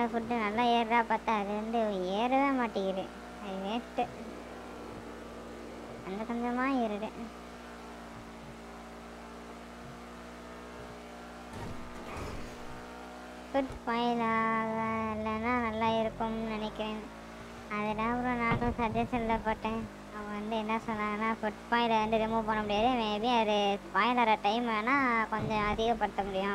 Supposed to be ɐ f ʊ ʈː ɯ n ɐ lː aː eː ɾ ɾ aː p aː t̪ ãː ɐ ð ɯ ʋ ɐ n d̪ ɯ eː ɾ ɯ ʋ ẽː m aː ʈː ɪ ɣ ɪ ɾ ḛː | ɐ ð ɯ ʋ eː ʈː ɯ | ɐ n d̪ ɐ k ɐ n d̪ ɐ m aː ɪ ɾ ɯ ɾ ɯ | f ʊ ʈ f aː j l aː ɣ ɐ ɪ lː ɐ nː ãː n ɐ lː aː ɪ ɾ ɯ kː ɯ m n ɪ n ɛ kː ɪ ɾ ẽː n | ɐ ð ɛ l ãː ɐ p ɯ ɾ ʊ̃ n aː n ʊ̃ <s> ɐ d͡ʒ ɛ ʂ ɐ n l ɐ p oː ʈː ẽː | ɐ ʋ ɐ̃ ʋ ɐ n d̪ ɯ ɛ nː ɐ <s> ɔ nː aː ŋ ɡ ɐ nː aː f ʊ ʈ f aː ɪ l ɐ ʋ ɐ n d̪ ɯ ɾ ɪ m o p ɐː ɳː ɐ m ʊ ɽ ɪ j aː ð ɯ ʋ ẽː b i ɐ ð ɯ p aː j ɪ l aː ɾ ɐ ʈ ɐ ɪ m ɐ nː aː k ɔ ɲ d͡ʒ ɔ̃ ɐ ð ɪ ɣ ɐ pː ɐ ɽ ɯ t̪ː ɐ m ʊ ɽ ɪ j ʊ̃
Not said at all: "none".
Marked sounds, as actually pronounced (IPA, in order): s, s

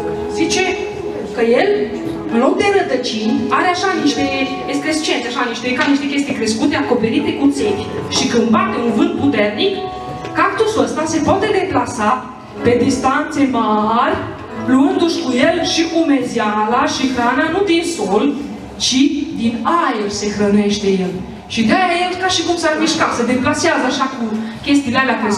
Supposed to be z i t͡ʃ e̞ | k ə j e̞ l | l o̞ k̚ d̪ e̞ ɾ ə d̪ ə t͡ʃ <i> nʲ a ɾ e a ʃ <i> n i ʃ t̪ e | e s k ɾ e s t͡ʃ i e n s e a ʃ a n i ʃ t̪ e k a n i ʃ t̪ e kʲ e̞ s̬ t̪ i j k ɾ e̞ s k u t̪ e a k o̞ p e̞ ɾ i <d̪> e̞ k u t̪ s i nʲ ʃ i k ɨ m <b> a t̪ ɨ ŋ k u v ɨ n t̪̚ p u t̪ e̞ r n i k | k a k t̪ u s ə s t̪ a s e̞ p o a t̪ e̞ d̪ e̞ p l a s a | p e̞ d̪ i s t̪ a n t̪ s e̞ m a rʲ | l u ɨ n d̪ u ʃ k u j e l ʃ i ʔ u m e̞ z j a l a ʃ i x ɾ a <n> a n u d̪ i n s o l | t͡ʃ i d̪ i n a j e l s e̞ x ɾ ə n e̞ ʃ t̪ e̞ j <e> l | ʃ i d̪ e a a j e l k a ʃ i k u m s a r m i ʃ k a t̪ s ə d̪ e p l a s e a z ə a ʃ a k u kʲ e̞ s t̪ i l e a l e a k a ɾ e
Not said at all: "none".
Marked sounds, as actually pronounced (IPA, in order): i, a, t̪, b, n, e

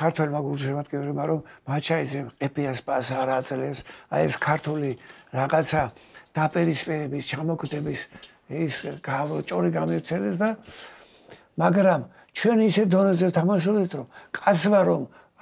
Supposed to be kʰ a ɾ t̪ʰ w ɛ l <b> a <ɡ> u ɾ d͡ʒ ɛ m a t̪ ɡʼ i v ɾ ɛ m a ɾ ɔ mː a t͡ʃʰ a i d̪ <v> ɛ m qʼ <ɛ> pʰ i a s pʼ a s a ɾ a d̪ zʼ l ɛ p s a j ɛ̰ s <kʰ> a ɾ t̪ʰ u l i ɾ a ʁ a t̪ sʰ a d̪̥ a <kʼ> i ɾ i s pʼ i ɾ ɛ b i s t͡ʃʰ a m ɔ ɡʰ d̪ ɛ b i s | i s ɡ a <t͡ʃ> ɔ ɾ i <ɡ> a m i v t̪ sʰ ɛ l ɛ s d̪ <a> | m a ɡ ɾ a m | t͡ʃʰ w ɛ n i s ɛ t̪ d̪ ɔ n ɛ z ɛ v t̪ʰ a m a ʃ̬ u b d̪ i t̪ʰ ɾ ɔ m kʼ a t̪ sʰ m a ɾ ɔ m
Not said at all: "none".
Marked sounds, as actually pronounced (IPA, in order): m, ɡ, z, ɛ, kʰ, pʼ, t͡ʃʼ, ɡ, a

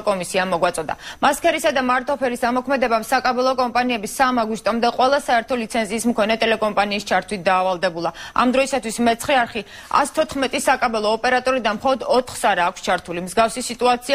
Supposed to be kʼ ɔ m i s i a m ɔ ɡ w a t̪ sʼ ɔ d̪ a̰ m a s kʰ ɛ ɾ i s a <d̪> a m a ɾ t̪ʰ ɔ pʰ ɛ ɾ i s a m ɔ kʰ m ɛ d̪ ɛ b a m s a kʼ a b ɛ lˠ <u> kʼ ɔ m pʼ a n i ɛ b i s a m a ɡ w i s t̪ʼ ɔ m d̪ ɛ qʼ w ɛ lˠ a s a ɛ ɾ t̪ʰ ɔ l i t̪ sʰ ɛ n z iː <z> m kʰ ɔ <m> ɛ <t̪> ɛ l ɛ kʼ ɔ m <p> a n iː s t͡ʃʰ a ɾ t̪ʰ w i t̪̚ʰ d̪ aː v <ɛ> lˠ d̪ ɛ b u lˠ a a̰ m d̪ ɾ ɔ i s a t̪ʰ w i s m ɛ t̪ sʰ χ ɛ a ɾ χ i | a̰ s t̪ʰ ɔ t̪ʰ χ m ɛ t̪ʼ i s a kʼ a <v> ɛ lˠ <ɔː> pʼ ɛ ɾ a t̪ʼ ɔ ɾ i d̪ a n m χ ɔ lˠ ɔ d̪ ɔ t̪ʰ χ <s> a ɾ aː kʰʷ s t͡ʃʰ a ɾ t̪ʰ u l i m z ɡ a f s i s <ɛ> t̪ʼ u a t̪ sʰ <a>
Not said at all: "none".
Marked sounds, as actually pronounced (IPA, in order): d̪, ɔ, s, n, t̪ʼ, pʼ, a, b, ɔː, s, i, i

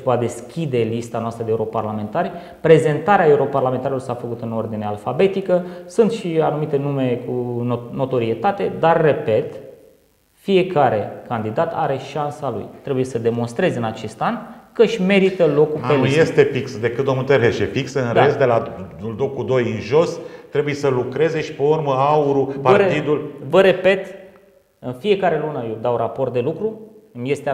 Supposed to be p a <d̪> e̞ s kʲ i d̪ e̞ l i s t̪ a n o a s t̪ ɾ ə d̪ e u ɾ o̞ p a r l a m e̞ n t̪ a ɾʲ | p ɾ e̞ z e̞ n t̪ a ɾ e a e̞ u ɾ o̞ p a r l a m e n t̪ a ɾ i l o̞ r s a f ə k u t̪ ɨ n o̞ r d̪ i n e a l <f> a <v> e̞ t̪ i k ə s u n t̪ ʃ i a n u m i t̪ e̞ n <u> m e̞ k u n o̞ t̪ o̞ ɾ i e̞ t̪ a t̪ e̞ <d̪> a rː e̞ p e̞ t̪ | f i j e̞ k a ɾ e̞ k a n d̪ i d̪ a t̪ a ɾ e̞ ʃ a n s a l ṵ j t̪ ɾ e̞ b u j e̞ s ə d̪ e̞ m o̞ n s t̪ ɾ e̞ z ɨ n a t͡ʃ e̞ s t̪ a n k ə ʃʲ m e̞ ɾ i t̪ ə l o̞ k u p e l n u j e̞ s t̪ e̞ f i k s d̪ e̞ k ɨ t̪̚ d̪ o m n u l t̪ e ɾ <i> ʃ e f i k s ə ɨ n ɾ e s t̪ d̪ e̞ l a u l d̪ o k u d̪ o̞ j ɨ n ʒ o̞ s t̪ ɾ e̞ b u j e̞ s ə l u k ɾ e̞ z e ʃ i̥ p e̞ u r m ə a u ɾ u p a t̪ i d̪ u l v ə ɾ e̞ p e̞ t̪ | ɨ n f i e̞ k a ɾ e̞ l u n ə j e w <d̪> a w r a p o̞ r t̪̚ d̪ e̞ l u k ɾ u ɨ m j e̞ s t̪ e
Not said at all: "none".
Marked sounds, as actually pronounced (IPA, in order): d̪, f, b, u, d̪, e, d̪

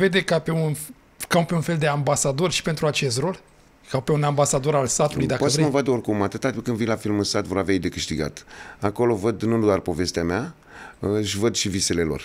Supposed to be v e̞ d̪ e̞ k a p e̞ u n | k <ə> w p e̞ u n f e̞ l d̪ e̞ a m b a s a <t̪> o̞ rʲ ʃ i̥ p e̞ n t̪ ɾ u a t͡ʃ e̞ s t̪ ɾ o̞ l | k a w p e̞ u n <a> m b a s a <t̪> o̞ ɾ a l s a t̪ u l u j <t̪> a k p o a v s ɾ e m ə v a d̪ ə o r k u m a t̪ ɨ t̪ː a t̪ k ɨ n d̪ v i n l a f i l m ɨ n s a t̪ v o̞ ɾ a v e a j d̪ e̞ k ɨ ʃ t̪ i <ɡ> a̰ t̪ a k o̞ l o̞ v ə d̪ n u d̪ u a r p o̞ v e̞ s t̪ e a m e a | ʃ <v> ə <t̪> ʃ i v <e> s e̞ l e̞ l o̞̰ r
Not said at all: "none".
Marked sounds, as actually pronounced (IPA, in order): a, d̪, a, d̪, d̪, ɡ, v, d̪, i

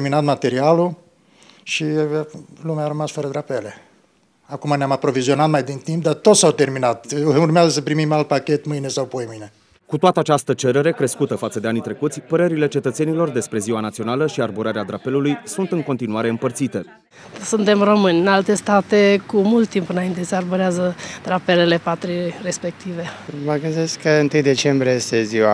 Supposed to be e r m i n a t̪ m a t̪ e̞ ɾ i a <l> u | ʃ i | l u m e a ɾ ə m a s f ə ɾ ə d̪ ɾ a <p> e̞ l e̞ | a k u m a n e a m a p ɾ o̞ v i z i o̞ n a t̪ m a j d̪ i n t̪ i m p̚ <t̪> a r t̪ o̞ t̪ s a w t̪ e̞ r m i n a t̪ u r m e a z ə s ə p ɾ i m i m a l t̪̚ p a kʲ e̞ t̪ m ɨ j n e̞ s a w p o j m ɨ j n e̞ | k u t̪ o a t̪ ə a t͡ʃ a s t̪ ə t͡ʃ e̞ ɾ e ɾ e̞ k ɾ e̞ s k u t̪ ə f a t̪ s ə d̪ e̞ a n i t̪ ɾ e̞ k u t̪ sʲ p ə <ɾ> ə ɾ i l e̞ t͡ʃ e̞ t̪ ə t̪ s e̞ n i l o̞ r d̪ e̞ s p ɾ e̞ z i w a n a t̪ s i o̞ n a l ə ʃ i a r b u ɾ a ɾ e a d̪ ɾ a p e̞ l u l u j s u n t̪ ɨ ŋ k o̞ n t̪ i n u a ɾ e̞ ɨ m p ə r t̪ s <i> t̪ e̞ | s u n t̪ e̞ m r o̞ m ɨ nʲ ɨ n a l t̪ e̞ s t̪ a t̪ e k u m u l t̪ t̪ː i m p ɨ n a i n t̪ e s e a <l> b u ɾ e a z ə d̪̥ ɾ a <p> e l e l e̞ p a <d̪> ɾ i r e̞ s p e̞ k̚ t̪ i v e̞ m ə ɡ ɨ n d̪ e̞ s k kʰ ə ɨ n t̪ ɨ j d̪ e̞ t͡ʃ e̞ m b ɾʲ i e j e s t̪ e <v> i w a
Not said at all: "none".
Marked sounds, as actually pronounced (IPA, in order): l, p, d̪, ɾ, i, r, p, t̪, z

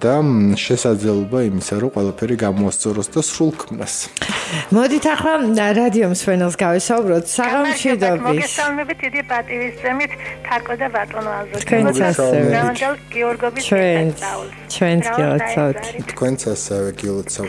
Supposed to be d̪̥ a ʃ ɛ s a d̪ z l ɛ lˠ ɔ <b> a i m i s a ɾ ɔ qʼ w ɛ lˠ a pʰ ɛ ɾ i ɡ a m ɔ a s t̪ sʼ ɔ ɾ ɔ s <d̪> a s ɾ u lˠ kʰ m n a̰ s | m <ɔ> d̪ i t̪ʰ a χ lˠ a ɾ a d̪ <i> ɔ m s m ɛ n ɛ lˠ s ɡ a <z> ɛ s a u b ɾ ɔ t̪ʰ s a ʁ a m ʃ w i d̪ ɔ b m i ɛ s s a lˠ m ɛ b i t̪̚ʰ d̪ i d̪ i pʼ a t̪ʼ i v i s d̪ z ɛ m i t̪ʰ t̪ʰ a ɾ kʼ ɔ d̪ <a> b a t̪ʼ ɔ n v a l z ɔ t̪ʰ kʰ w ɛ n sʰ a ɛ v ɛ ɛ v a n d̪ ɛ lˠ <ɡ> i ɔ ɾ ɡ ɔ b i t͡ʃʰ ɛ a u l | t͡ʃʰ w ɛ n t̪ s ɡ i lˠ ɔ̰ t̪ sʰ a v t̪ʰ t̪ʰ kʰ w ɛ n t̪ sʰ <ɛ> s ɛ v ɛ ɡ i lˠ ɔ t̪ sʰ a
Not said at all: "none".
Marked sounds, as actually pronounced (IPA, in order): b, d̪, ɔ, i, v, a, ɡ, a

